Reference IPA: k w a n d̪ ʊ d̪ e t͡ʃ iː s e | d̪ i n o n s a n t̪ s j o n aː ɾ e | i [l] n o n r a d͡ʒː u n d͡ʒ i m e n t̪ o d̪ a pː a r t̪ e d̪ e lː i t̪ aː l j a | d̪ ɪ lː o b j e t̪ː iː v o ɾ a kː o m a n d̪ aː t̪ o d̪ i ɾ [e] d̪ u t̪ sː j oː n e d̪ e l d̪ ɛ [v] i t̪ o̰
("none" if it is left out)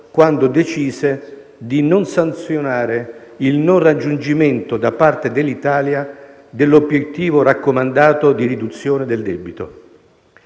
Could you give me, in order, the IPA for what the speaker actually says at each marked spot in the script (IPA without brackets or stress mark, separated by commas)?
l, i, b